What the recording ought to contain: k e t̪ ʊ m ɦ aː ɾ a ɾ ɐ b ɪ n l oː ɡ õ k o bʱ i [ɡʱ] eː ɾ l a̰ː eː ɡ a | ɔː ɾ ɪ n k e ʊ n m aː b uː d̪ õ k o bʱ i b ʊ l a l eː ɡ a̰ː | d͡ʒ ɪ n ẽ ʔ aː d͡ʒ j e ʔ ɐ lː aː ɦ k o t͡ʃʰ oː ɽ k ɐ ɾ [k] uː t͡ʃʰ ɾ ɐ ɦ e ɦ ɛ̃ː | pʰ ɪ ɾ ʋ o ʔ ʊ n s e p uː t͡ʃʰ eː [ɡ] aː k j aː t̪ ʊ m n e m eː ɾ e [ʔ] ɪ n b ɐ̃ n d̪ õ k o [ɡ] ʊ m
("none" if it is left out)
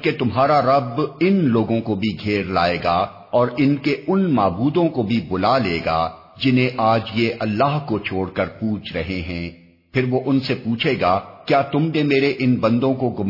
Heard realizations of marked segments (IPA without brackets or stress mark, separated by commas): ɡʱ, p, ɡ, ʔ, ɡ